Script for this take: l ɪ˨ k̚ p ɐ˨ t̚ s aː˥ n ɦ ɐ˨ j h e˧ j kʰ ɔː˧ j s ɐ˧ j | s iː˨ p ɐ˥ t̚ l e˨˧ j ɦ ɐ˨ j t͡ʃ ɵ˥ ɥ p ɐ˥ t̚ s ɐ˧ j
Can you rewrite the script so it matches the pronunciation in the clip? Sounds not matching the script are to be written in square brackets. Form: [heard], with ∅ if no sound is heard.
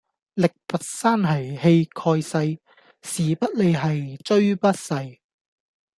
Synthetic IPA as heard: l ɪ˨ k̚ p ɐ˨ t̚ s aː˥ n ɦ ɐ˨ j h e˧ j kʰ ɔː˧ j s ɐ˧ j | s iː˨ p ɐ˥ t̚ l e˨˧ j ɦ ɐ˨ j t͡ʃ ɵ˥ ɥ p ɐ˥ t̚ s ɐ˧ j